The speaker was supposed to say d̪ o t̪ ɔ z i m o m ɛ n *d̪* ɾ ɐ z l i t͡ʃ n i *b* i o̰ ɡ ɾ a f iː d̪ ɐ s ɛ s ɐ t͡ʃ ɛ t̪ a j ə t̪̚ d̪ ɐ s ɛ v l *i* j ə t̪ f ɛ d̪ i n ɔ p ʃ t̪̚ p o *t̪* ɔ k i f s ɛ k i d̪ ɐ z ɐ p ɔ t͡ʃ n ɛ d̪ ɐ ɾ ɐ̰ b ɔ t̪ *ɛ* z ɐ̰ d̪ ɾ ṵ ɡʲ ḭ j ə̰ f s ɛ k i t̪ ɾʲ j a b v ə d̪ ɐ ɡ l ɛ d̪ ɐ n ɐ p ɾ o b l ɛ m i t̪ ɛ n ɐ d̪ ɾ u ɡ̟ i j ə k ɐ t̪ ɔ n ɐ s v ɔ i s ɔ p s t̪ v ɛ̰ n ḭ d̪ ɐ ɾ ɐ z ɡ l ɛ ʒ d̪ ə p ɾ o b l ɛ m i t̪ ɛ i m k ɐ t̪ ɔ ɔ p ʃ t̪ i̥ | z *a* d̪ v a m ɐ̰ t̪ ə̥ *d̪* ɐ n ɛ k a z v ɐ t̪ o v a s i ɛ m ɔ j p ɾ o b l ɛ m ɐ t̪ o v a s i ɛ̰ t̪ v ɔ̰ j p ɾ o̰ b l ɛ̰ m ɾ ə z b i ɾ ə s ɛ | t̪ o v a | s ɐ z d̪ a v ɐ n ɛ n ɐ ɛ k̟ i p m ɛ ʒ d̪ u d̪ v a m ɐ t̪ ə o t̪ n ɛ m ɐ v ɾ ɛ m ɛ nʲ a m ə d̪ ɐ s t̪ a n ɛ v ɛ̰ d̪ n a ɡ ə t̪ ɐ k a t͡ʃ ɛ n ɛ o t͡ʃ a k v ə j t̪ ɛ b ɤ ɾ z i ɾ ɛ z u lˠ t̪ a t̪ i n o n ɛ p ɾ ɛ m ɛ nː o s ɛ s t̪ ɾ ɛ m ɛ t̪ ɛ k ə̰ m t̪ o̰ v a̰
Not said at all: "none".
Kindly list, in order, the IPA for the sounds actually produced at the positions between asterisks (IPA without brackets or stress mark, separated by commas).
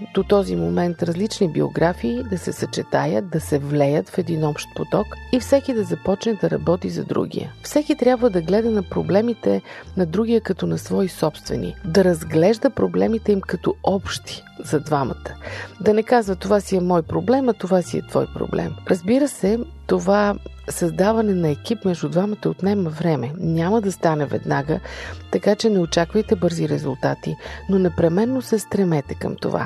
t̪, b, ɛ, t̪, i, ɐ, d̪